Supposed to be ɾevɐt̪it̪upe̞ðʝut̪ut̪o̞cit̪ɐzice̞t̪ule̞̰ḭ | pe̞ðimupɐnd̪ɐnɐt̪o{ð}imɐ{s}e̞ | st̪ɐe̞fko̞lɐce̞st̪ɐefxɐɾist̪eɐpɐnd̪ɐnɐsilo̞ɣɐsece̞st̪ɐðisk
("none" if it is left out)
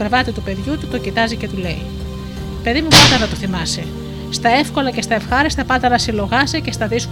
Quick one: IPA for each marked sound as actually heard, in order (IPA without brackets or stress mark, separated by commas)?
θ, s